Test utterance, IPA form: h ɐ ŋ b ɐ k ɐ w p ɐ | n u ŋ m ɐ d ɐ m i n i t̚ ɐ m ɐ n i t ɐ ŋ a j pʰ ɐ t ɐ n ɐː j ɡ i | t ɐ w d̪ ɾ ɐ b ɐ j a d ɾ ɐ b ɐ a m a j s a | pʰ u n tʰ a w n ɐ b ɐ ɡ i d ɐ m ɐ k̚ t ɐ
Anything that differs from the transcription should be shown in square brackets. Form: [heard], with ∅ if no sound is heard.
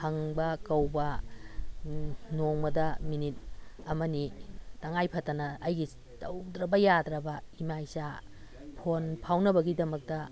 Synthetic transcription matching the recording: h ɐ ŋ b ɐ k ɐ w [b] ɐ | n [o] ŋ m ɐ d ɐ m i n i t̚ ɐ m ɐ n i t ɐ ŋ a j pʰ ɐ t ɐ n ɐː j ɡ i | t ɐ w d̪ ɾ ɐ b ɐ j a d ɾ ɐ b ɐ [i] m a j s a | pʰ [o] n [pʰ] a w n ɐ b ɐ ɡ i d ɐ m ɐ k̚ t ɐ